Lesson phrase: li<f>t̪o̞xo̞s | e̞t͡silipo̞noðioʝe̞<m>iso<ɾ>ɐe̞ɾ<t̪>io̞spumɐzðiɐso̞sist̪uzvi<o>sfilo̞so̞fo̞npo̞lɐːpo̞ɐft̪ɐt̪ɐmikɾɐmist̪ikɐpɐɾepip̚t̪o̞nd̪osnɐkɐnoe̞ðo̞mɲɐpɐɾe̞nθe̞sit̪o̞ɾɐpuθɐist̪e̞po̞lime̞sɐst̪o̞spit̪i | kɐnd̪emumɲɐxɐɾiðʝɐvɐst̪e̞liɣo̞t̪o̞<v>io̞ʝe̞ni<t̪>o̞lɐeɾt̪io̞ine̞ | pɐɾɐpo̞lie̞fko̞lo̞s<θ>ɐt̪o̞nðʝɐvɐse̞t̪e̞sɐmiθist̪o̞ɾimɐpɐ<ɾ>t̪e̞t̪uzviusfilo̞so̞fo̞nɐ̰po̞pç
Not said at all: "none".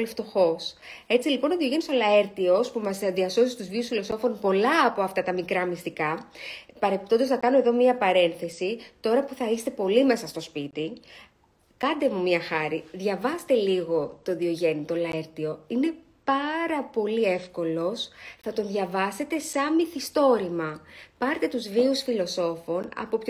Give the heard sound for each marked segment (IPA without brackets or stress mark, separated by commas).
f, n, l, t̪, u, ð, t̪, θ, ɾ